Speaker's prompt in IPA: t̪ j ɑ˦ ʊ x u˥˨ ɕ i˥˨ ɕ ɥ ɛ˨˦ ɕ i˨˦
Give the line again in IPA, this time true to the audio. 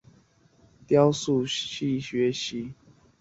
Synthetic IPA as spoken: t̪ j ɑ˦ ʊ s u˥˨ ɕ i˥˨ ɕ ɥ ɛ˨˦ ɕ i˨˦